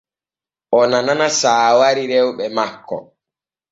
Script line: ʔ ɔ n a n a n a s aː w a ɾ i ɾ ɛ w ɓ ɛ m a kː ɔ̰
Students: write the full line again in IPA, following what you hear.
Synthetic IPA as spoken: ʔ ɔ n a n a n a s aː w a ɾ i ɾ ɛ w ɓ ɛ m a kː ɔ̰